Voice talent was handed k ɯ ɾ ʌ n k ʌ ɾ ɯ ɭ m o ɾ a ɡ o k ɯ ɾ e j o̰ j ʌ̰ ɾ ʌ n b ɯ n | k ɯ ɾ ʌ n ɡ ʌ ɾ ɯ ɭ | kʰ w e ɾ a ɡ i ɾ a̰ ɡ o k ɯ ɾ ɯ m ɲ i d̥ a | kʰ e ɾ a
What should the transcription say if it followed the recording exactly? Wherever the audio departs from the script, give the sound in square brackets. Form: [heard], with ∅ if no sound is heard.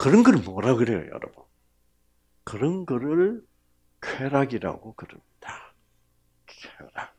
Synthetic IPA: k ɯ ɾ ʌ n [ɡ] ʌ ɾ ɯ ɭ m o ɾ a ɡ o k ɯ ɾ e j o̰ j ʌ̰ ɾ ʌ [∅] b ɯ n | k ɯ ɾ ʌ n ɡ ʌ ɾ ɯ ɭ | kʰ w e ɾ a ɡ i ɾ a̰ ɡ o k ɯ ɾ ɯ m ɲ i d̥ a | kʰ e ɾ a